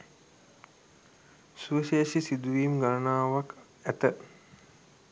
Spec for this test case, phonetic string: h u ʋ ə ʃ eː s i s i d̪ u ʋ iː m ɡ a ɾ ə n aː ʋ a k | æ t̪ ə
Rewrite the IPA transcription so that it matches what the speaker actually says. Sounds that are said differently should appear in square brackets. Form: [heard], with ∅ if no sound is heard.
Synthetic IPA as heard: [s] u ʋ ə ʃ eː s i s i d̪ u ʋ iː m ɡ a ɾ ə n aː ʋ a k | æ t̪ ə